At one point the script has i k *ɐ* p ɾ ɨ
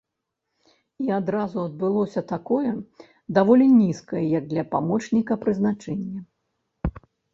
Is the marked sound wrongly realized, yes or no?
no